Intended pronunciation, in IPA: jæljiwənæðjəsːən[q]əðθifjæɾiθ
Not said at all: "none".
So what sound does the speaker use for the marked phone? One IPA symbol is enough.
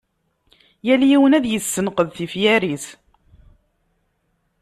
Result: q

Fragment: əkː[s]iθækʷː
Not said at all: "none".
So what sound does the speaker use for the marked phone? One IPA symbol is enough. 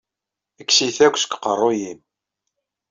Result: s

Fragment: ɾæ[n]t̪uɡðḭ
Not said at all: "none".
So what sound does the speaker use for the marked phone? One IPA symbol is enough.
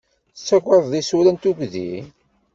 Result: n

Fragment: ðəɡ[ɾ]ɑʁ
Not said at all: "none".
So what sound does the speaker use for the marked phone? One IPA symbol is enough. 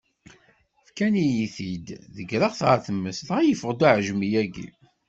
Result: ɾ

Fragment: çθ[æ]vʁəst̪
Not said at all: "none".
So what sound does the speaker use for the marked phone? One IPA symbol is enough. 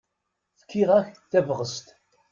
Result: æ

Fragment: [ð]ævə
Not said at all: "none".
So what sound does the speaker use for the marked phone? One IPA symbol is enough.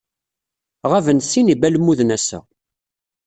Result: ʁ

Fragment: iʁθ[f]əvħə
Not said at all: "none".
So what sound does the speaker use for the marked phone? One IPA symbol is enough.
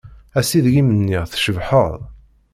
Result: ʃ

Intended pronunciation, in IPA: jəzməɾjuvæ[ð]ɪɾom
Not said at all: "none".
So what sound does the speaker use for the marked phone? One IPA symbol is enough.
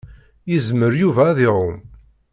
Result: ð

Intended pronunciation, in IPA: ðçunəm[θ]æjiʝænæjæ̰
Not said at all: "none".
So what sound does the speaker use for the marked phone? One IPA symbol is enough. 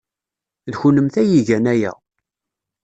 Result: θ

